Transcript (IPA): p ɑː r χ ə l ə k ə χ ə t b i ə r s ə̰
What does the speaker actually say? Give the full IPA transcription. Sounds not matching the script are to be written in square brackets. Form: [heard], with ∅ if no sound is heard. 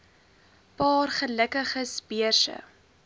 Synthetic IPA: p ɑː r χ ə l ə k ə χ ə [s] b i ə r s ə̰